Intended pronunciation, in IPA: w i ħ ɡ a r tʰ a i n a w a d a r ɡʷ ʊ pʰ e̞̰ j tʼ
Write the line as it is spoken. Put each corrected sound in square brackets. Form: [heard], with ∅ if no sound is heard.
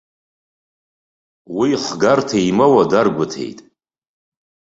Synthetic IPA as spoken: w i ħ ɡ a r tʰ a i [m] a w a d a r ɡʷ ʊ [tʰ] e̞̰ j tʼ